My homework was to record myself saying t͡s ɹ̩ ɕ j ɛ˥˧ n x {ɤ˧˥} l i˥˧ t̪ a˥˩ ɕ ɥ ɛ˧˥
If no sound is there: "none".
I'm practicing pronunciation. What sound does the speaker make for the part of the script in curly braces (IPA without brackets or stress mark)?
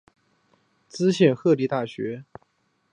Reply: ɤ˥˧